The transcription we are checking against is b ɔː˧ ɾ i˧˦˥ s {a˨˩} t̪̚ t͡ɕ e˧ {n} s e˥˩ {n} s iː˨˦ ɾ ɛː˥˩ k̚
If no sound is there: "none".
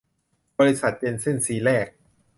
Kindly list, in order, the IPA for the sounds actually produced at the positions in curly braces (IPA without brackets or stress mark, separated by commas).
a˨˩, n, n